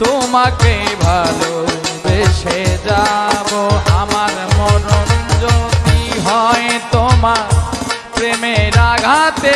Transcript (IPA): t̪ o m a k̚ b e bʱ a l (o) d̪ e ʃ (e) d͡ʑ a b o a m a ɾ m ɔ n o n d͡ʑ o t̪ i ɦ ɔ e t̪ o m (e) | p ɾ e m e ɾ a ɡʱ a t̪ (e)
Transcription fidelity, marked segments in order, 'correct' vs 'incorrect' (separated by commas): correct, correct, incorrect, correct